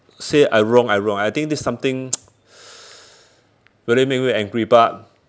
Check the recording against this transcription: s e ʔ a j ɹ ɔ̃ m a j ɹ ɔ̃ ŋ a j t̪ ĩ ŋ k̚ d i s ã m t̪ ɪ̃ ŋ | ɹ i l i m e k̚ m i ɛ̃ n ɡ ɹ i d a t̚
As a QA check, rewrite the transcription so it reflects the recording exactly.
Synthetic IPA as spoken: s e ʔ a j ɹ ɔ̃ ŋ a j ɹ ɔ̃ ŋ a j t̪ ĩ ŋ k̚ d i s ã m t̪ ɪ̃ ŋ | ɹ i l i m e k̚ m i ɛ̃ ŋ ɡ ɹ i b a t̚